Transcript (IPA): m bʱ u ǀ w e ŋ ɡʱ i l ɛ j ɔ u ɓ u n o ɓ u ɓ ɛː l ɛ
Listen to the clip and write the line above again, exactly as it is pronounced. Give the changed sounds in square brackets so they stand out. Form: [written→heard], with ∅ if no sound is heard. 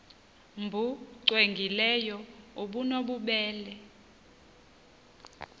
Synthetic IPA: m bʱ u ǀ w e ŋ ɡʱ i l ɛ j ɔ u ɓ u n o ɓ u ɓ ɛː l ɛ